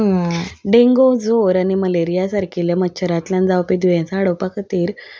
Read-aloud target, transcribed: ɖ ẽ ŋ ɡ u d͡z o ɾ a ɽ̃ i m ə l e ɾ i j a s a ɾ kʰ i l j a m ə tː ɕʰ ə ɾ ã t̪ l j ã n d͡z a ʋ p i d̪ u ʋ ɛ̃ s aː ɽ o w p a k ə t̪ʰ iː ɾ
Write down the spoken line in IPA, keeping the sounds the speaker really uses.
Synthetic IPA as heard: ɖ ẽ ŋ ɡ o d͡z o ɾ a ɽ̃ i m ə l e ɾ i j a s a ɾ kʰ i l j a m ə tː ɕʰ ə ɾ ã t̪ l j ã n d͡z a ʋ p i d̪ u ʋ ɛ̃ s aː ɽ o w p a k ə t̪ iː ɾ

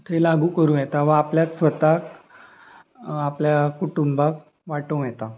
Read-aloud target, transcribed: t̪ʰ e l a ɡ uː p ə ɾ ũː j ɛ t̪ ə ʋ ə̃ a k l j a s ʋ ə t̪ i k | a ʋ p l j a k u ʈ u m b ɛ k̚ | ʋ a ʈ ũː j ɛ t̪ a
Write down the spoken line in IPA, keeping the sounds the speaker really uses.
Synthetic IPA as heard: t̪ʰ e l a ɡ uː k ə ɾ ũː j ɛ t̪ a ʋ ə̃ a p l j a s ʋ ə t̪ a k | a p l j a k u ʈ u m b a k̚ | ʋ a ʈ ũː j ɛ t̪ a

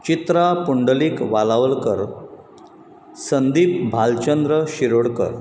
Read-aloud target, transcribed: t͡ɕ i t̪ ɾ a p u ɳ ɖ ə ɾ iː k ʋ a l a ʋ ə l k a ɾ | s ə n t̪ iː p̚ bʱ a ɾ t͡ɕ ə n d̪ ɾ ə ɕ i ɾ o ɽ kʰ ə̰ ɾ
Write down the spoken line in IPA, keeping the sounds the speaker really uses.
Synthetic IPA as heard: t͡ɕ i t̪ ɾ a p u ɳ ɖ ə l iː k ʋ a l a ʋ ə l k ə ɾ | s ə n d̪ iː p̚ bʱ a l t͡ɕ ə n d̪ ɾ ə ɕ i ɾ o ɽ k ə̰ ɾ

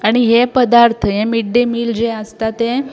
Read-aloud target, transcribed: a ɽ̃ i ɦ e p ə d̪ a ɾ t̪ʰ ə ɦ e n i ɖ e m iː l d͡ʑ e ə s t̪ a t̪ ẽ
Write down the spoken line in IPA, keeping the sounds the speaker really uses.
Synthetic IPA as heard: a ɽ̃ i ɦ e p ə d̪ a ɾ t̪ʰ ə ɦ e m i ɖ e m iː l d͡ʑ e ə s t̪ a t̪ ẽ

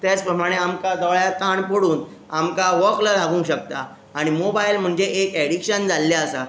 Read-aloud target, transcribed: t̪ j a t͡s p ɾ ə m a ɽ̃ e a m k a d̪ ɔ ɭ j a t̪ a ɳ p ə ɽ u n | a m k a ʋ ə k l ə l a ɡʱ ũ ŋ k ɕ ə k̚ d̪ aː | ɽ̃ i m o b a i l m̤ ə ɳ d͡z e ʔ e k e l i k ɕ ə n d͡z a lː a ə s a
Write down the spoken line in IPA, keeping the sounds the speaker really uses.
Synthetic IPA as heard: t̪ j a t͡s p ɾ ə m a ɽ̃ e a m k a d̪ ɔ ɭ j a t̪ a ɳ p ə ɽ uː n | a m k a ʋ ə k l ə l a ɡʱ ũ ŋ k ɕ ə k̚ t̪ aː | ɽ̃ i m o b a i l m̤ ə ɳ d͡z e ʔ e k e ɽ i k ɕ ə n d͡z a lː a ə s a

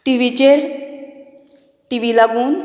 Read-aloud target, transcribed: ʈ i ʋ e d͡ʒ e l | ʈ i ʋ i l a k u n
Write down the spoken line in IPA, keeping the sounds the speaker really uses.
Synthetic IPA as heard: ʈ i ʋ i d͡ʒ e ɾ | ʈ i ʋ i l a ɡ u n

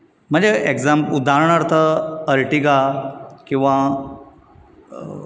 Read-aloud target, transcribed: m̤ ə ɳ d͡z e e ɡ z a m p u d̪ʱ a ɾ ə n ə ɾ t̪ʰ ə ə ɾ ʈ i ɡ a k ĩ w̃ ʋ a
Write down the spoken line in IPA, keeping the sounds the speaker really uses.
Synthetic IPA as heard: m̤ ə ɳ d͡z e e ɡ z a m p u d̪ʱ a ɾ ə ɳ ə ɾ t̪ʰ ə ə ɾ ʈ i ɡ a k ĩ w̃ ʋ a

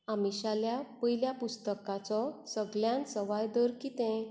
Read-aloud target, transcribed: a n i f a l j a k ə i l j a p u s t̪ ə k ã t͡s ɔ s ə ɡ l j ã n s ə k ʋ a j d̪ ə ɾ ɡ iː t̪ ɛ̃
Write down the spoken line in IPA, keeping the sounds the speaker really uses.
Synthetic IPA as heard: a m i ɕ a l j a p ə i l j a p u s t̪ ə k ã t͡s ɔ s ə ɡ l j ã n s ə ʋ a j d̪ ə ɾ k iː t̪ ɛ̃

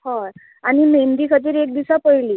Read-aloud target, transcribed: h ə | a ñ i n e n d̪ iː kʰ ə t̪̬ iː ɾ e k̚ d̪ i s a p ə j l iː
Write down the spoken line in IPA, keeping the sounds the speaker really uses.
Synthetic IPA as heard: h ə | a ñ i m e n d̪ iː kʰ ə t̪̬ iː ɾ e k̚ d̪ i s a p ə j l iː

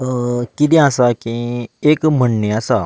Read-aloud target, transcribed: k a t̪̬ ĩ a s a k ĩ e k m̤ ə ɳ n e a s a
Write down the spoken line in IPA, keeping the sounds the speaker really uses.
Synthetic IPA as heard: k i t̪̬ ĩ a s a k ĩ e k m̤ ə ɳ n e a s a

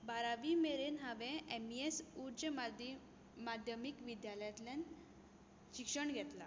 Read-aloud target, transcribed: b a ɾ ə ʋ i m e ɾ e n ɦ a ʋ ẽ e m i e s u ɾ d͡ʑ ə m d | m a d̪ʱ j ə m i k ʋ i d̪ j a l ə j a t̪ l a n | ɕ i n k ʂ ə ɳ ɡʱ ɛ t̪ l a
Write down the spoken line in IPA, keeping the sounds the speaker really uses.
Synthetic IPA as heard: b a ɾ a ʋ i m e ɾ e n ɦ a ʋ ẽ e m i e s u ɾ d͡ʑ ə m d | m a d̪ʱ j ə m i k ʋ i d̪ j a l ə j a t̪ l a n | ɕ i k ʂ ə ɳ ɡʱ ɛ t̪ l a

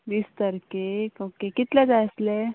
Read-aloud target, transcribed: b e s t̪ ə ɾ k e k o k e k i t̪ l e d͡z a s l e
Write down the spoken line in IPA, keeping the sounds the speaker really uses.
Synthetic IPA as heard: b i s t̪ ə ɾ k e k o k e k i t̪ l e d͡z a s l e

